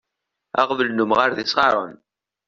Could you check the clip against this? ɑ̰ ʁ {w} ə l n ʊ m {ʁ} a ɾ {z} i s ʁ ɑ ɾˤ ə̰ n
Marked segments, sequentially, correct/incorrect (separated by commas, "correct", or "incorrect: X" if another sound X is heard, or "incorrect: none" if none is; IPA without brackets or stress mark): incorrect: v, correct, incorrect: ð